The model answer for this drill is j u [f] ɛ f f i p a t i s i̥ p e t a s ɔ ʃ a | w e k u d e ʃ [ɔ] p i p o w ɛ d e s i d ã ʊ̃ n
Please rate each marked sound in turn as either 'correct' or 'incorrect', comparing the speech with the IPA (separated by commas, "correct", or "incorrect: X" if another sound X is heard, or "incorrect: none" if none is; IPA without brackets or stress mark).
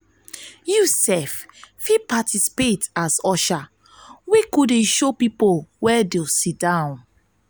incorrect: s, incorrect: o